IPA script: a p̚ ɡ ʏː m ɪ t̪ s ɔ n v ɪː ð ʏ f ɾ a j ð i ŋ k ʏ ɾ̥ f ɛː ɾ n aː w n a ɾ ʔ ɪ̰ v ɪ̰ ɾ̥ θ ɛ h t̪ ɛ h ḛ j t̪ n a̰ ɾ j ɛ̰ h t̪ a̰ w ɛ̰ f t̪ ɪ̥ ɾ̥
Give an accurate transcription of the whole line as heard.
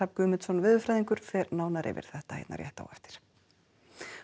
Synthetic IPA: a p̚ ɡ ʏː m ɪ t̪ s ɔ n v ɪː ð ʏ f ɾ a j ð i ŋ k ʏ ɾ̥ f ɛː ɾ n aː w n a ɾ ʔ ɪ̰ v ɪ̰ ɾ̥ θ ɛ h t̪ a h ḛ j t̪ n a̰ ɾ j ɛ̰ h t̪ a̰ w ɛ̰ f t̪ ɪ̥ ɾ̥